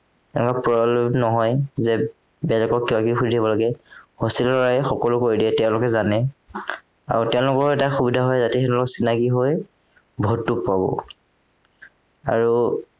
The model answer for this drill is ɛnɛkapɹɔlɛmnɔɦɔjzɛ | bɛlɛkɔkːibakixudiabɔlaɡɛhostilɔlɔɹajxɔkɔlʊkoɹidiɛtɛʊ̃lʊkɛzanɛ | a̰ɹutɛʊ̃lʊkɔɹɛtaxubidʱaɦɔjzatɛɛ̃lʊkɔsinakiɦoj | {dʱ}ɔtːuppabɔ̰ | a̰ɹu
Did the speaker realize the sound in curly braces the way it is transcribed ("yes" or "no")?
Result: no